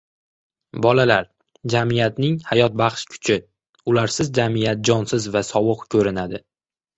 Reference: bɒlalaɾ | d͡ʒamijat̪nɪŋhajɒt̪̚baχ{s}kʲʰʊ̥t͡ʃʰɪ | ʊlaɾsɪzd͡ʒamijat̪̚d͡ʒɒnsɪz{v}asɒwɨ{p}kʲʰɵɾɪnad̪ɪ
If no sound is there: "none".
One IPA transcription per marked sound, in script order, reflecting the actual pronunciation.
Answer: ʃ, v, q

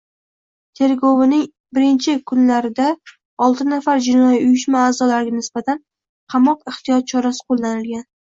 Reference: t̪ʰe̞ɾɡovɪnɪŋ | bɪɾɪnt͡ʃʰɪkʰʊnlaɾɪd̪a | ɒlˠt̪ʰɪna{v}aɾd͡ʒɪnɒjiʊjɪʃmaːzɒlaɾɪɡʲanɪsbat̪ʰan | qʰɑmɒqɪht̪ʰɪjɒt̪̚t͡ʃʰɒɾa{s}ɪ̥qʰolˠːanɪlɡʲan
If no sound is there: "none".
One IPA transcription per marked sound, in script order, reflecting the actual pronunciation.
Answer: f, s

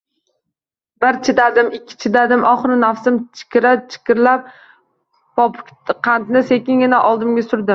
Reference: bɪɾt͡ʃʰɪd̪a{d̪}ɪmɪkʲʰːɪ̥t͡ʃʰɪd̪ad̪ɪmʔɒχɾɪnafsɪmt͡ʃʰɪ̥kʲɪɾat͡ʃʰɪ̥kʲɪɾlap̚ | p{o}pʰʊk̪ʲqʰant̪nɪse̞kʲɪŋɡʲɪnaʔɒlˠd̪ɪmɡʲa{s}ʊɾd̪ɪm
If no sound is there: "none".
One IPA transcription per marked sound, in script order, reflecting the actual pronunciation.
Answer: d̪, ɒ, s

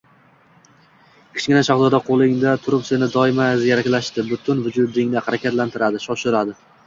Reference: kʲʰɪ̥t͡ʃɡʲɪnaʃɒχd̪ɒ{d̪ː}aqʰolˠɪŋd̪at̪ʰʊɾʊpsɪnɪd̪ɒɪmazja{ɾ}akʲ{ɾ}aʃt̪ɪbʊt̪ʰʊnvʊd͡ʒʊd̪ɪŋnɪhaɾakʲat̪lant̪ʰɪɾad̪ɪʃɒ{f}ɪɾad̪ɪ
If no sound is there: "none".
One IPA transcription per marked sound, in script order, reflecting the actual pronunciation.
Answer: d̪, ɾ, l, ʃ

